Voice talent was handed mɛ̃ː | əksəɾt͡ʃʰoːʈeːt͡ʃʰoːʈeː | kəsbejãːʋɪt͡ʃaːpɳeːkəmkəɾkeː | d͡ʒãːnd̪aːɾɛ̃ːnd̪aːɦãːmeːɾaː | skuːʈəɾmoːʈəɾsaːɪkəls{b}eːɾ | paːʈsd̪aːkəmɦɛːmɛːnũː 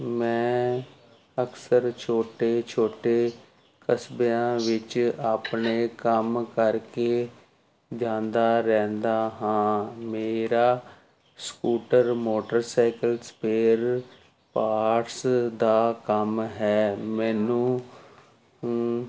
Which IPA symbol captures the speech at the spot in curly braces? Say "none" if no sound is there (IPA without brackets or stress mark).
p